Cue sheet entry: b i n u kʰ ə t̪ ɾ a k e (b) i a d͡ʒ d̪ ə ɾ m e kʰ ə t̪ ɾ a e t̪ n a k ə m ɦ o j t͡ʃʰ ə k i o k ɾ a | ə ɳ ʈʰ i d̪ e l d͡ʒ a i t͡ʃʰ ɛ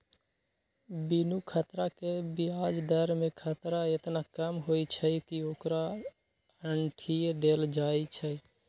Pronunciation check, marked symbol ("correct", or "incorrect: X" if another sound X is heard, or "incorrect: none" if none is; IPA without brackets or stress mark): correct